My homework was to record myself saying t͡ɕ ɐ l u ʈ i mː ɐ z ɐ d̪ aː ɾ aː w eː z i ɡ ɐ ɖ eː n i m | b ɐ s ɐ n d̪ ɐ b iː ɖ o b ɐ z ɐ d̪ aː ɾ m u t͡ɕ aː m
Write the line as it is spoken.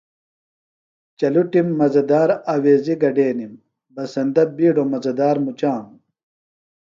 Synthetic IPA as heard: t͡ɕ ɐ l u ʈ i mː ɐ z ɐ d̪ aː ɾ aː w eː z i ɡ ɐ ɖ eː n i m | b ɐ s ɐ n d̪ ɐ b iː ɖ o m ɐ z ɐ d̪ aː ɾ m u t͡ɕ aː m